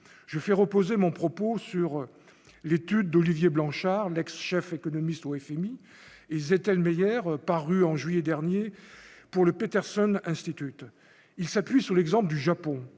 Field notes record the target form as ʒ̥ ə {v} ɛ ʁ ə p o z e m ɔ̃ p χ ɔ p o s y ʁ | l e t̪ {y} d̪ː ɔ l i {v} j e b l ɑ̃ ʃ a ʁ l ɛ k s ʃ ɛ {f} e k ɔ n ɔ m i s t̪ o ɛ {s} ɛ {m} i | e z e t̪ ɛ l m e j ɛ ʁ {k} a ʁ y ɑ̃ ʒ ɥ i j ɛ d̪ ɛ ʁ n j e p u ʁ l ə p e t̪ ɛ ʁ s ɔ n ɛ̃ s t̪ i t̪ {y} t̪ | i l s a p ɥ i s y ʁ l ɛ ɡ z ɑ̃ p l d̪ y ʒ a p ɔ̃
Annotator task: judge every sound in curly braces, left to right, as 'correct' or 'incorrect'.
incorrect: f, correct, correct, correct, incorrect: f, correct, incorrect: p, correct

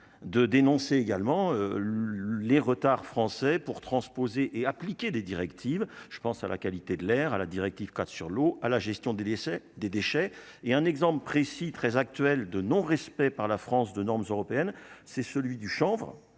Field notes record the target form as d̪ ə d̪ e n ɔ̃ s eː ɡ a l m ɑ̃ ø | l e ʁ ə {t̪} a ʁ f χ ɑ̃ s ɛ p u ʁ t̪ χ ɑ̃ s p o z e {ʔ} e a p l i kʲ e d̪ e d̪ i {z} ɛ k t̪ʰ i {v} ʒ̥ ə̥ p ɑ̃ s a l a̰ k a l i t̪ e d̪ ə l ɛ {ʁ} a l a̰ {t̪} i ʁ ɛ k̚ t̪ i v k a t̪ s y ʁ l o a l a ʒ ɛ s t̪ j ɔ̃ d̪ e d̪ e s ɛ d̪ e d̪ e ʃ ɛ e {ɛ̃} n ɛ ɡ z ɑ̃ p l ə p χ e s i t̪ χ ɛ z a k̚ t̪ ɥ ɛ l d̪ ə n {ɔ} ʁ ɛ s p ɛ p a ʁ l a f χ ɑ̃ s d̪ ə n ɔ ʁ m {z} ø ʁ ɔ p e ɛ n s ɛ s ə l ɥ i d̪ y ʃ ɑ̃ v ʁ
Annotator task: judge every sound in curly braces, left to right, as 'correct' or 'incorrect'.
correct, correct, incorrect: ʁ, correct, correct, incorrect: d̪, correct, incorrect: ɔ̃, correct

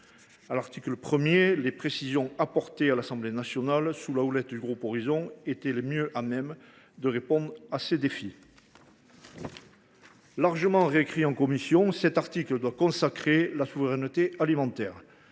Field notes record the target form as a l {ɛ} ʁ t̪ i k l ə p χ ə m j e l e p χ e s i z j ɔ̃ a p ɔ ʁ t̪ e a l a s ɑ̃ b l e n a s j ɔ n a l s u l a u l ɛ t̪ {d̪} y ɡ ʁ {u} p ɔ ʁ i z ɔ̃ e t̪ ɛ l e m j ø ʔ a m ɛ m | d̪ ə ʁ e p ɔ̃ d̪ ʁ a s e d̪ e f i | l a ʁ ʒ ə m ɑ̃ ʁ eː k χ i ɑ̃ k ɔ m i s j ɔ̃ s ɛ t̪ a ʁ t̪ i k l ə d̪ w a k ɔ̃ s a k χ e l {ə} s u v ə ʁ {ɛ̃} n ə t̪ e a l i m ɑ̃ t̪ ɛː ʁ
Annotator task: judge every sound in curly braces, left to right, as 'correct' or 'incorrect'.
incorrect: a, correct, correct, incorrect: a, incorrect: ɛ

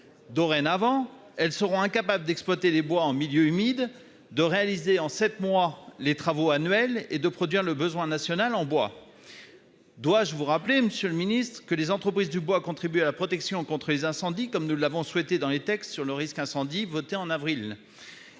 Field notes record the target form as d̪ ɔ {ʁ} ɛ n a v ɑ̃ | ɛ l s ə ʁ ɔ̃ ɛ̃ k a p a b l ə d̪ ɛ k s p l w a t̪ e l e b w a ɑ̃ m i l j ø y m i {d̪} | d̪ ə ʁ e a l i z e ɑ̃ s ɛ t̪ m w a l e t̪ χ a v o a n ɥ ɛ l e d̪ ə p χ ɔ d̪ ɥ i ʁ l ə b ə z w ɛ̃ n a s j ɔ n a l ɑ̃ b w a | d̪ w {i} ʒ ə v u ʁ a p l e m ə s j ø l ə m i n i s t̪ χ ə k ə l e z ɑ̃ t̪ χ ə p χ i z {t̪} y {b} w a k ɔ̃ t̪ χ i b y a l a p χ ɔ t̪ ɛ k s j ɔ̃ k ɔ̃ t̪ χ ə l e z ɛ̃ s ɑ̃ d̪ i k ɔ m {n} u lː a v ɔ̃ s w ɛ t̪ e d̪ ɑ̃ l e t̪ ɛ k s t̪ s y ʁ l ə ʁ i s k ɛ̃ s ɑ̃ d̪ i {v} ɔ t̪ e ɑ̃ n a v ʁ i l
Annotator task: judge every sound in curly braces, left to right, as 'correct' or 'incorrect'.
correct, correct, incorrect: a, incorrect: d̪, correct, correct, correct

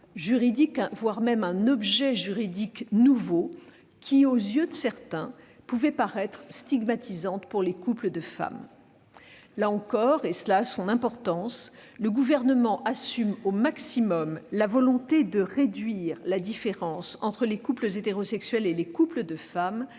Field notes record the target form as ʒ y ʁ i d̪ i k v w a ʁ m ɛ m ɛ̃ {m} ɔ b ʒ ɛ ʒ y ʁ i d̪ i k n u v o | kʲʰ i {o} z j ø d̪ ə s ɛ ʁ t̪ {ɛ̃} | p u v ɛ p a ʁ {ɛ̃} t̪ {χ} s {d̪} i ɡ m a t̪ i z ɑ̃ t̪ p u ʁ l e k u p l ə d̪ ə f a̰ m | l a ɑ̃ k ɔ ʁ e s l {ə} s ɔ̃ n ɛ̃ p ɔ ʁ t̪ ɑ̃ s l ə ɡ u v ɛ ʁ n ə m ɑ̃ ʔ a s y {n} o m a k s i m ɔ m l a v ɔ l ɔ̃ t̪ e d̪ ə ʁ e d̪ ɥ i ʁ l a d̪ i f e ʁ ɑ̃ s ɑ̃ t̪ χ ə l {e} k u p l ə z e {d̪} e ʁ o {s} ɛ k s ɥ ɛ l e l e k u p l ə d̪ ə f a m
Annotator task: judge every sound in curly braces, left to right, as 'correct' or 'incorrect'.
incorrect: n, correct, correct, incorrect: ɛ, correct, incorrect: t̪, incorrect: a, incorrect: m, correct, incorrect: t̪, correct

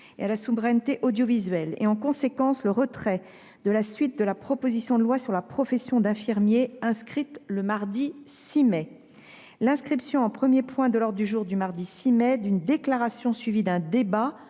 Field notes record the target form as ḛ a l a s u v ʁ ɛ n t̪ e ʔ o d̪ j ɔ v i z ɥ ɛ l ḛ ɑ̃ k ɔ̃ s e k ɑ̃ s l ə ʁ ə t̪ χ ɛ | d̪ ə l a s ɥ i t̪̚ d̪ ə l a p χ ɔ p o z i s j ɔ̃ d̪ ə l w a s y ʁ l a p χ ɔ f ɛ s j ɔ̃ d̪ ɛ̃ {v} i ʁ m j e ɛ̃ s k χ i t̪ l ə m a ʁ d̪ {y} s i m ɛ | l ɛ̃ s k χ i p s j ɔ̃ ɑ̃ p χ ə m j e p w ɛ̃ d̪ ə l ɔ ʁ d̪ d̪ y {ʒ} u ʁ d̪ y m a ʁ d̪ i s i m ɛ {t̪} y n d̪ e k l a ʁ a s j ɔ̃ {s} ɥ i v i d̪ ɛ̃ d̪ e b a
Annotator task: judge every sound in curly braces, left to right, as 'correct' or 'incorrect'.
incorrect: f, incorrect: i, correct, incorrect: d̪, correct

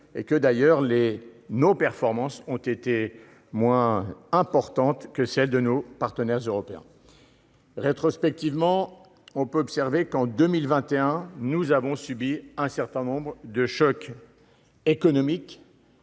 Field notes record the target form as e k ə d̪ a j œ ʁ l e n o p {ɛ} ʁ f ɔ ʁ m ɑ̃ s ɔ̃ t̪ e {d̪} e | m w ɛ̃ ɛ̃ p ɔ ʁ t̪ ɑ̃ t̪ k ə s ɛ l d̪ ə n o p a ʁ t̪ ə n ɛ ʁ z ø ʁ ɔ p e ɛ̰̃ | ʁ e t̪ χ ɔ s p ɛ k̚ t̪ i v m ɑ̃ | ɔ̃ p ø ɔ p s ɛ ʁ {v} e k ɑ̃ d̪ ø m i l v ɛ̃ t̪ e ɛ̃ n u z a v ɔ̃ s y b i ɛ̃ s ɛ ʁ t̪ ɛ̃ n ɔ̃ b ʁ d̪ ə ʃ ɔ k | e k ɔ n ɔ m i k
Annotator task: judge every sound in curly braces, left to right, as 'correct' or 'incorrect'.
correct, incorrect: t̪, correct

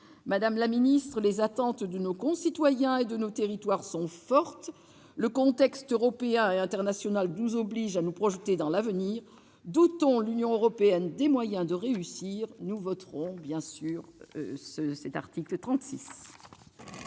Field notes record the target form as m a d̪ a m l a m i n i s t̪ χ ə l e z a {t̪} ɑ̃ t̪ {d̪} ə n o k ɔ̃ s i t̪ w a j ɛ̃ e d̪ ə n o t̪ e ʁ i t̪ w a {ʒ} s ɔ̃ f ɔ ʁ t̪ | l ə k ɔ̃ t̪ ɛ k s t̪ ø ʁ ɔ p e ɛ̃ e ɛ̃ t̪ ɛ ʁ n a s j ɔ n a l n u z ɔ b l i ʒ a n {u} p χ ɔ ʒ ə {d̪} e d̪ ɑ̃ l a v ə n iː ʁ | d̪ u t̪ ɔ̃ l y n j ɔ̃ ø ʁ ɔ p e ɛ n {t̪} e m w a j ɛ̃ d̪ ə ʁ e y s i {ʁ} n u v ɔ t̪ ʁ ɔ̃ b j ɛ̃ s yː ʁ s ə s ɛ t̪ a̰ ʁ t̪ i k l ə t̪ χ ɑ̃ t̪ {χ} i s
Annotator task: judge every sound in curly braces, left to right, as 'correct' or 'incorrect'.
correct, correct, incorrect: ʁ, correct, incorrect: t̪, incorrect: d̪, correct, incorrect: s

